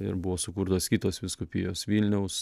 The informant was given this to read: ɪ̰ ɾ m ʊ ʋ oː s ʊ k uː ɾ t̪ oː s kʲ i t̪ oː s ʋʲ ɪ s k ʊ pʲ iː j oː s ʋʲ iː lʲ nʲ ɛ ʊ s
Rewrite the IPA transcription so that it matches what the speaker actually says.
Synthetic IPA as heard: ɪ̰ ɾ b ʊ ʋ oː s ʊ k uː ɾ t̪ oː s kʲ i t̪ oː s ʋʲ ɪ s k ʊ pʲ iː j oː s ʋʲ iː lʲ nʲ ɛ ʊ s